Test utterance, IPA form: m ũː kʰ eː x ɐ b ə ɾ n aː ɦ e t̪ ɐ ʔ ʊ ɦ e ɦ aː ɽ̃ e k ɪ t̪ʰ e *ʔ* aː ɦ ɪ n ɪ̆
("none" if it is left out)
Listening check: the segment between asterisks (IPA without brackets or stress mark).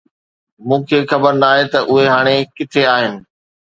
none